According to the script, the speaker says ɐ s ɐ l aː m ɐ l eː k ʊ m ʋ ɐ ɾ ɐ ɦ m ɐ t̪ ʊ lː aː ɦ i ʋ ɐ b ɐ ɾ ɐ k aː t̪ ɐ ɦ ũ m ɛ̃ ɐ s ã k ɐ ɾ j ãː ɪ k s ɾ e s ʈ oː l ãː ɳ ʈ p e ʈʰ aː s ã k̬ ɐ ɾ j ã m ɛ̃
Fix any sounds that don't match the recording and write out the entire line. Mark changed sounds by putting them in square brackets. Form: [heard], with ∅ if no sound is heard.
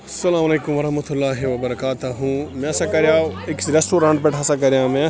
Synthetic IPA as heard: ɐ s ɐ l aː m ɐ l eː k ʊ m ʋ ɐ ɾ ɐ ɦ m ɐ t̪ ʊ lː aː ɦ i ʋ ɐ b ɐ ɾ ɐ k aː t̪ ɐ ɦ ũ m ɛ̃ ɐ s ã k ɐ ɾ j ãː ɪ k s ɾ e s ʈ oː [ɾ] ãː ɳ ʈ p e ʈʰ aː s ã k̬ ɐ ɾ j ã m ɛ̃